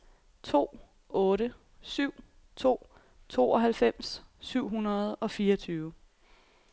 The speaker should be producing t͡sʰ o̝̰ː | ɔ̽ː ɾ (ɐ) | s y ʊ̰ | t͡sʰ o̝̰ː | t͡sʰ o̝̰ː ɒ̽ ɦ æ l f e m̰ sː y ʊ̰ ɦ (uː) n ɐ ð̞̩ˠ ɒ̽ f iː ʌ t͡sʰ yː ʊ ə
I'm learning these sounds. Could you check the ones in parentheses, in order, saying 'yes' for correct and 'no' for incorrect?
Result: no, no

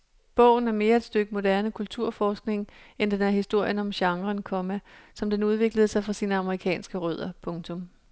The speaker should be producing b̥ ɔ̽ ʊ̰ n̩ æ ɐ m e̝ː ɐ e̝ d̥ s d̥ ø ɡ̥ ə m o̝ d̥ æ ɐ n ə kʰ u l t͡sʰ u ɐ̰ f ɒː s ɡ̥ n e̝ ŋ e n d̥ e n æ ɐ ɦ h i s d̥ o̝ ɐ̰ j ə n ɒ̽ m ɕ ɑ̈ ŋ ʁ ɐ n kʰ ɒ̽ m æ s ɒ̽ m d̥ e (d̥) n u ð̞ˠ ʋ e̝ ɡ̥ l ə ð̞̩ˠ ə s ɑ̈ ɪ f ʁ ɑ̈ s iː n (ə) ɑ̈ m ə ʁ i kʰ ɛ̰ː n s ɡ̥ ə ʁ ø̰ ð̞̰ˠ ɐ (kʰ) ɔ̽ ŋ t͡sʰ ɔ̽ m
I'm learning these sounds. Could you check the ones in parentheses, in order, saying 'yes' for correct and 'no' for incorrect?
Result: no, yes, no

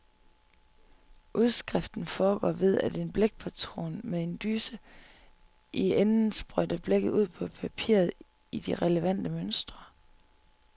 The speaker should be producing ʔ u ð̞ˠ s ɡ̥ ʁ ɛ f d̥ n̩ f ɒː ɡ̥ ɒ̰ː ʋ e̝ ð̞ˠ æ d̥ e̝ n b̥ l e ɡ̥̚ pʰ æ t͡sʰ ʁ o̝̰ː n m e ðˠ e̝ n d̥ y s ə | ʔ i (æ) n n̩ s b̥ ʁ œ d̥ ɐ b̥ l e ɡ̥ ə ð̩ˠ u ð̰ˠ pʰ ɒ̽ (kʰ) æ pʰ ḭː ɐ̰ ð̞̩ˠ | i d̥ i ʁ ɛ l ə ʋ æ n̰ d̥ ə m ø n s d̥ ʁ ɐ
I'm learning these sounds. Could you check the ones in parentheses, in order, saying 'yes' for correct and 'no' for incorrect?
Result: no, no

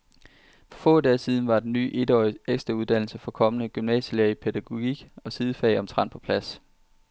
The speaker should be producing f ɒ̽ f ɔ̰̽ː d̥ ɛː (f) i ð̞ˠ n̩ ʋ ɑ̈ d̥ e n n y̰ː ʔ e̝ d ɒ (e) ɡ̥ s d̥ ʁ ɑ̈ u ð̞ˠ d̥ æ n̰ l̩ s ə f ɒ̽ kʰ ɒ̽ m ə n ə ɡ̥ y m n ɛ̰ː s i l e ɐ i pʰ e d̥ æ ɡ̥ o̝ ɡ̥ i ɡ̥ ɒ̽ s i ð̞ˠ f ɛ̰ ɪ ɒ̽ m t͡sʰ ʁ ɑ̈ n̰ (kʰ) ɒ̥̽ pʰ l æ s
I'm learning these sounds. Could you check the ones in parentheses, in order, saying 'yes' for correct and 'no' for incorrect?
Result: no, yes, no

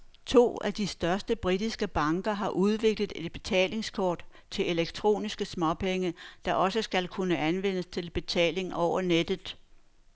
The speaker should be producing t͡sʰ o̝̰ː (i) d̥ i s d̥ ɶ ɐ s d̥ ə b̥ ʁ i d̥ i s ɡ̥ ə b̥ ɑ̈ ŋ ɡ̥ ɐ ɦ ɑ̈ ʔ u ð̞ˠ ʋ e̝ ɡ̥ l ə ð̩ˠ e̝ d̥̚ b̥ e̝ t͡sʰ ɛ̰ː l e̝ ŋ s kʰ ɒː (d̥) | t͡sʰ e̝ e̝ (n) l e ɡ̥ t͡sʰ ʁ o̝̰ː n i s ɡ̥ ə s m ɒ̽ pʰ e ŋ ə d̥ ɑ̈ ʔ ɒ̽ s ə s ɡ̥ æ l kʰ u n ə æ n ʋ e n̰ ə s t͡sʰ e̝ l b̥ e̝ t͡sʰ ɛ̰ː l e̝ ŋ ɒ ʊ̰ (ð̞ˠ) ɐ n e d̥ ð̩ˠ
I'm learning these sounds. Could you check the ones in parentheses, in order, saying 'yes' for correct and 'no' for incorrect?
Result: no, yes, no, no

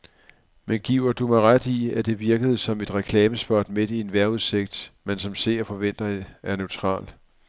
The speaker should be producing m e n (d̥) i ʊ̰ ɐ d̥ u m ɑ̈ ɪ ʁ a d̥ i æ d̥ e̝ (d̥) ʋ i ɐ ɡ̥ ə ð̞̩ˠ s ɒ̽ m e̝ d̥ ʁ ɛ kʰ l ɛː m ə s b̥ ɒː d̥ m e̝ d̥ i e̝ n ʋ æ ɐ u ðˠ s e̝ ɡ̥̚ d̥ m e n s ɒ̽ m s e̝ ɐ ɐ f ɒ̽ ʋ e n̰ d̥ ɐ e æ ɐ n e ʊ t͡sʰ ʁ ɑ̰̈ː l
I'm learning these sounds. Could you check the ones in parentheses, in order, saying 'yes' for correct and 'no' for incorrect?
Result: no, no

